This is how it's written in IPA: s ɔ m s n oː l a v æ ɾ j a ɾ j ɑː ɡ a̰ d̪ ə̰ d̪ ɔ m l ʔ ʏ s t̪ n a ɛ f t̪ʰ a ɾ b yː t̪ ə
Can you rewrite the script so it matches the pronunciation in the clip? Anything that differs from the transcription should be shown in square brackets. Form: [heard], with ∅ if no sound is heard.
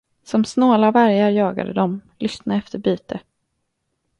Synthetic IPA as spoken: s ɔ m s n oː l a v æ ɾ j a ɾ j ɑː ɡ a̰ d̪ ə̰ d̪ ɔ m l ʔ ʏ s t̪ n a ɛ f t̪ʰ [ə] ɾ b yː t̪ ə

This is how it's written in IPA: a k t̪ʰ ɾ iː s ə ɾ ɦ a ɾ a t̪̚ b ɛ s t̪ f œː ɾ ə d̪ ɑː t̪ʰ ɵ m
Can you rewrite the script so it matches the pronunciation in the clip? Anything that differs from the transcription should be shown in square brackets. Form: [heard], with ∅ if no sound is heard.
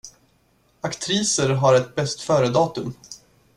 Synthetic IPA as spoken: a k t̪ʰ ɾ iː s ə ɾ ɦ a ɾ [ɛ] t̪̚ b ɛ s t̪ f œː ɾ ə d̪ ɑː [t̪] ɵ m

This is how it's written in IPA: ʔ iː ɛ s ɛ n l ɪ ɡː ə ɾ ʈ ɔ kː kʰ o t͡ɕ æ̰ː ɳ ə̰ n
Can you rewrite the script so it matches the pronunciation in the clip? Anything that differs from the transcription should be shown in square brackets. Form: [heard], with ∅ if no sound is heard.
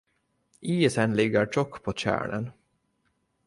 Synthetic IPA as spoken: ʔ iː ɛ s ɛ n l ɪ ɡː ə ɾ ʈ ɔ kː [pʰ] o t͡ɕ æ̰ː ɳ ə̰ n

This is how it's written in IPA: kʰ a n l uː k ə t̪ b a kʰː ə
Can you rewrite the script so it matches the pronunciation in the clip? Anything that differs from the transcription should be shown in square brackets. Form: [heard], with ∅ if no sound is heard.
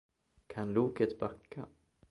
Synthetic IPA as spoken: kʰ a n l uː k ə t̪ b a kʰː [a]

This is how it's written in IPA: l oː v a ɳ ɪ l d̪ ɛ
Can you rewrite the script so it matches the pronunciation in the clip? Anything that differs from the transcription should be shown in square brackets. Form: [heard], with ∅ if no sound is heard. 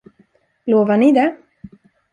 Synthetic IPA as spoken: l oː v a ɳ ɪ [∅] d̪ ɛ

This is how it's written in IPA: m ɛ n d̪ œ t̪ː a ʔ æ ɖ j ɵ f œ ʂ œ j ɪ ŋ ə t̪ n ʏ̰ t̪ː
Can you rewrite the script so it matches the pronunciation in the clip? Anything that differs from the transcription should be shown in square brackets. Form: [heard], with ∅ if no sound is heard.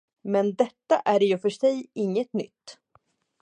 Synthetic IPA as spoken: m ɛ n d̪ [ɛ] t̪ː a ʔ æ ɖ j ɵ f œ ʂ [ɛ] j ɪ [ŋː] ə t̪ n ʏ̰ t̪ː

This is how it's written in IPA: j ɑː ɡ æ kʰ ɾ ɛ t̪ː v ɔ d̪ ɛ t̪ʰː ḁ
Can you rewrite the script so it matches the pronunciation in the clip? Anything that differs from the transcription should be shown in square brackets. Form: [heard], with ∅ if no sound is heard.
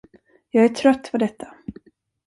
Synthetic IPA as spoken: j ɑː ɡ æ [ʈʰ] ɾ [œ] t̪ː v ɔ d̪ ɛ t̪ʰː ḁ

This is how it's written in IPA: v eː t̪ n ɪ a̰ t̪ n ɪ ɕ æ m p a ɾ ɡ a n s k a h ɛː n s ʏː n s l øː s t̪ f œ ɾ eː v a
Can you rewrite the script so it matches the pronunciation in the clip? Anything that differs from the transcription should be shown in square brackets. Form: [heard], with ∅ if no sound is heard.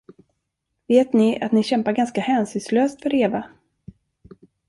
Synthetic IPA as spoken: v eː t̪ n ɪ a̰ t̪ n ɪ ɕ [ɛ] m p a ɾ ɡ a n s k a h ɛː n s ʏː n s l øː s t̪ f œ ɾ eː v a

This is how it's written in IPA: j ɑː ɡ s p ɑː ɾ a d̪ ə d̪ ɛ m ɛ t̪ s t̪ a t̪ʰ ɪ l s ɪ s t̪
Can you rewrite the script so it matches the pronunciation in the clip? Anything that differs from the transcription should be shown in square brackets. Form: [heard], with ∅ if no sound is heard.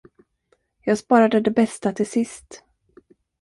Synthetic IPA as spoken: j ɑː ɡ s p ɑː ɾ a d̪ ə d̪ ɛ [b] ɛ [∅] s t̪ a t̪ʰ ɪ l s ɪ s t̪

